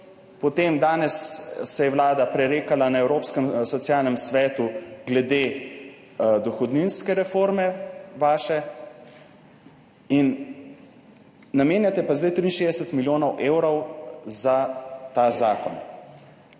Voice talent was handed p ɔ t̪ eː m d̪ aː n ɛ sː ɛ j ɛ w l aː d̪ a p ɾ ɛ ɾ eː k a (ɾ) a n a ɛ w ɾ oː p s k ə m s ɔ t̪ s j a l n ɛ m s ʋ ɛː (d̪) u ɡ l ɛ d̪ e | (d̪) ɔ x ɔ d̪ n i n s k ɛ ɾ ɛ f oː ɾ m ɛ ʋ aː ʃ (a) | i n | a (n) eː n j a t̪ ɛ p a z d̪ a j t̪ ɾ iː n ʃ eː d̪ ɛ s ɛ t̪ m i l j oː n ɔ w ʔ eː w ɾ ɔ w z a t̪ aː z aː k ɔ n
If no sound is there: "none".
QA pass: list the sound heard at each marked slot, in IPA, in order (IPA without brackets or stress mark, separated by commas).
l, t̪, d̪, ɛ, m